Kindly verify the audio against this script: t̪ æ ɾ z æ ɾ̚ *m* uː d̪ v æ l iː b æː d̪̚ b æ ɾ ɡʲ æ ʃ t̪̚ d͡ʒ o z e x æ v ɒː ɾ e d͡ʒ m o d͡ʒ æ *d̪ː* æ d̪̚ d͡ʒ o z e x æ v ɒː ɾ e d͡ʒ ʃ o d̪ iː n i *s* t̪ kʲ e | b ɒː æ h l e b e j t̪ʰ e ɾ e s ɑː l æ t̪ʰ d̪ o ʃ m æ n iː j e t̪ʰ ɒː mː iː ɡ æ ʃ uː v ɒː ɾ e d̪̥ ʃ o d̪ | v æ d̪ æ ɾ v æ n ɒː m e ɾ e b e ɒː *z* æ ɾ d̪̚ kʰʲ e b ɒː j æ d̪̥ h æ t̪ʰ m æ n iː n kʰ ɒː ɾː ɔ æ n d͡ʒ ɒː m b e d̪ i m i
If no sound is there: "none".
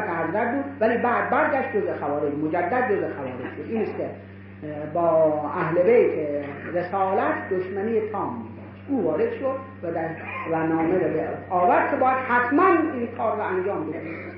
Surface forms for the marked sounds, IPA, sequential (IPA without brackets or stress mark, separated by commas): b, d̪ː, s, v